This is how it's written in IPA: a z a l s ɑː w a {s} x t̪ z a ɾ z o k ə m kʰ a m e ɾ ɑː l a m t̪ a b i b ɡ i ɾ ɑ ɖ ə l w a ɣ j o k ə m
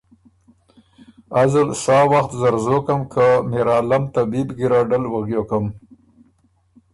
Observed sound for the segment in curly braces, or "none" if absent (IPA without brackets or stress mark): none